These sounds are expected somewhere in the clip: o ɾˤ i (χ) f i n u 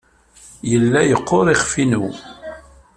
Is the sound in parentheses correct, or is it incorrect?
correct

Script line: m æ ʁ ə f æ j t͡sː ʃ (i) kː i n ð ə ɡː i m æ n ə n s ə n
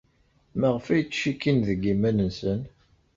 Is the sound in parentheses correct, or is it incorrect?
correct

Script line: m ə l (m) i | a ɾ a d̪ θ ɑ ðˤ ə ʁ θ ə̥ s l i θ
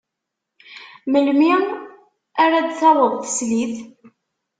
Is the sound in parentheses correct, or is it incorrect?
correct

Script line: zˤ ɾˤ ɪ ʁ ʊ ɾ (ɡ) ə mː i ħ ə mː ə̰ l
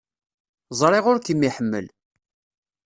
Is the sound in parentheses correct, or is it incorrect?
incorrect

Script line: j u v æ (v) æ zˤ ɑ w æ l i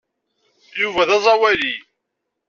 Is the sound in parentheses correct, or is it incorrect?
incorrect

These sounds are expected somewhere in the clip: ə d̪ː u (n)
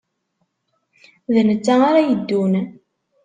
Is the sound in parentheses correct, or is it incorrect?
correct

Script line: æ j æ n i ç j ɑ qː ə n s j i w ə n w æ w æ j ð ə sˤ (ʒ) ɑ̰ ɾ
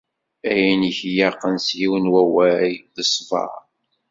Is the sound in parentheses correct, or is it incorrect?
incorrect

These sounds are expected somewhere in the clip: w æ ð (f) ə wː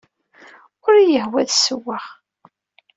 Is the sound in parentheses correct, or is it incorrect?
incorrect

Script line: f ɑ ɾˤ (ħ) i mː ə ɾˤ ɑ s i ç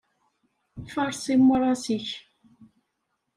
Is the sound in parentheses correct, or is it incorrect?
incorrect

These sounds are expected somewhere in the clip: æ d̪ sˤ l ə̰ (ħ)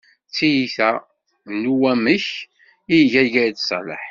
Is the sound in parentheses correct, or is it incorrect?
correct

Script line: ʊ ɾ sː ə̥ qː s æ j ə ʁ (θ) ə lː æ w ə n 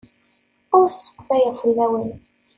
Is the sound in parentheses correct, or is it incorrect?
incorrect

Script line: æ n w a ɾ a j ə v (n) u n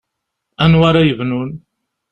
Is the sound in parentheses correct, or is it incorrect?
correct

